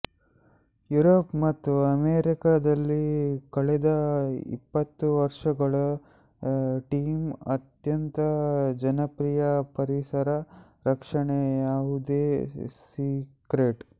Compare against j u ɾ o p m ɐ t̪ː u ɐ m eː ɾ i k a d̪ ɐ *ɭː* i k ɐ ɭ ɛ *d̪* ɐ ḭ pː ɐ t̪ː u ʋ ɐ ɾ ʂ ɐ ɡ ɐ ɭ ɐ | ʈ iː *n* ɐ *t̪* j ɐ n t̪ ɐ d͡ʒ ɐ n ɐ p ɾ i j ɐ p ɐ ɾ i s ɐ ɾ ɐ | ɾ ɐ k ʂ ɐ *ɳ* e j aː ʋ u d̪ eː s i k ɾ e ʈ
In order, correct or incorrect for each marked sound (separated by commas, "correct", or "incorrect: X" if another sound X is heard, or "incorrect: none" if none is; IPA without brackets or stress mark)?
incorrect: lː, correct, incorrect: m, correct, correct